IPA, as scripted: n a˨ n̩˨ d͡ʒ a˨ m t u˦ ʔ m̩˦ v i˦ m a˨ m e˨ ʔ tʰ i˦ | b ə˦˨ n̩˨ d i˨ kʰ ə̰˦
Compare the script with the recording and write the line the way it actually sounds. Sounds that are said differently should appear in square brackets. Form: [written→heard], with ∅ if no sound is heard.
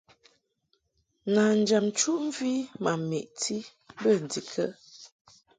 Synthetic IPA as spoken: n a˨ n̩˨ d͡ʒ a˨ m [t→t͡ʃ] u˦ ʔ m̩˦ v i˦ m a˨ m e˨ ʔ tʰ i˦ | b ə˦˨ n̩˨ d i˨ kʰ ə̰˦